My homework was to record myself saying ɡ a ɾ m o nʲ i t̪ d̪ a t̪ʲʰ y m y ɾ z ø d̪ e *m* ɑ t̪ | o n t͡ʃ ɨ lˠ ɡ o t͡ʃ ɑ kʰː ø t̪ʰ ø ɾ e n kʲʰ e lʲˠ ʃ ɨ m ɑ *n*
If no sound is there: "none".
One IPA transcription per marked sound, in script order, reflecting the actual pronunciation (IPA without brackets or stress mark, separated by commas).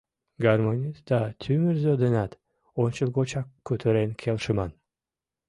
n, n